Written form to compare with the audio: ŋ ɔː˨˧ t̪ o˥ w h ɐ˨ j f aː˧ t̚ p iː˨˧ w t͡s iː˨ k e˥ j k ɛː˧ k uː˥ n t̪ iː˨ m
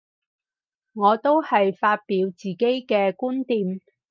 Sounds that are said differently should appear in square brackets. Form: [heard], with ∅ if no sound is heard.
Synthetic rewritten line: ŋ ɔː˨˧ t̪ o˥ w h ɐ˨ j f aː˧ t̚ p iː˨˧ w t͡s iː˨ k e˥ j k ɛː˧ k uː˥ n t̪ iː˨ m